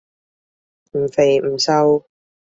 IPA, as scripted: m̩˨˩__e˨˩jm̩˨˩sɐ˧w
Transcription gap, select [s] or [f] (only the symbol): f